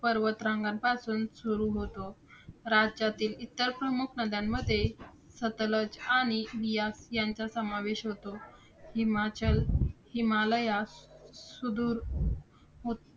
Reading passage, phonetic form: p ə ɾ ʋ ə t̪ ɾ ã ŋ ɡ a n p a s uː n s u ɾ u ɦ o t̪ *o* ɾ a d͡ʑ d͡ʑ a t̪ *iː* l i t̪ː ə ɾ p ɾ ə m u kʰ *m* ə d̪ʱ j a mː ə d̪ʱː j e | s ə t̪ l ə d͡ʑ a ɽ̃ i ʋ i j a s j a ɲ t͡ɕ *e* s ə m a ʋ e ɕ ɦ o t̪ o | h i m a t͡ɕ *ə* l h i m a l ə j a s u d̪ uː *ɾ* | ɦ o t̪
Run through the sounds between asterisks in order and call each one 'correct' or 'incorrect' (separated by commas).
correct, correct, incorrect, incorrect, correct, correct